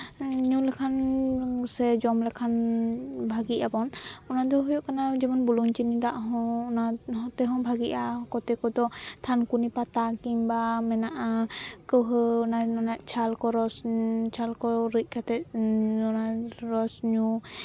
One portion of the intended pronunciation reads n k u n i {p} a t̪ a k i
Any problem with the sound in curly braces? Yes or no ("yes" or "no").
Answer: no